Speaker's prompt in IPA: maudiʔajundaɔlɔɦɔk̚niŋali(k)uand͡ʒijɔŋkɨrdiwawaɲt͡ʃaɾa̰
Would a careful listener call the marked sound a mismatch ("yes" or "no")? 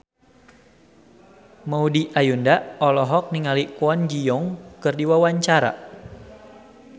no